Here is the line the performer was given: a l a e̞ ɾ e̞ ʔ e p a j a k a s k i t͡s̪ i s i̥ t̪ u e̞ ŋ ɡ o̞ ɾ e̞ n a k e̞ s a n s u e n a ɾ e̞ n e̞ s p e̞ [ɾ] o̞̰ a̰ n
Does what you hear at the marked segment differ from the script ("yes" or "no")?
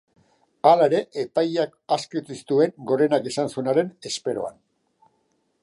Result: no